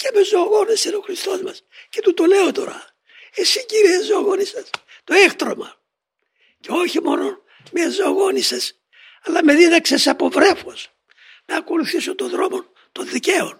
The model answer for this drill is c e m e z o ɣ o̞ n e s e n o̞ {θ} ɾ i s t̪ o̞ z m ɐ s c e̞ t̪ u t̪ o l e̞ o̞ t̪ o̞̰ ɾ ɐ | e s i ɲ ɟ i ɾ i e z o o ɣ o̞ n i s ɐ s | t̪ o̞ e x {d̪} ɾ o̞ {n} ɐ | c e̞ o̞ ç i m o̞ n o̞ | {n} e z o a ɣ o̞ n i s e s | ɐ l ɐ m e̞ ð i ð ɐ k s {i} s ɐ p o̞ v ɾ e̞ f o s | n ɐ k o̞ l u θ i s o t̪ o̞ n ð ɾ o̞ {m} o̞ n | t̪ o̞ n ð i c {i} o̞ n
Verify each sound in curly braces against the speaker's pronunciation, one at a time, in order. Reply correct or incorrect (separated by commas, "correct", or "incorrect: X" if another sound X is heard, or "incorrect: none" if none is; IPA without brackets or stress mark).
incorrect: x, incorrect: t̪, incorrect: m, incorrect: m, incorrect: e, correct, incorrect: e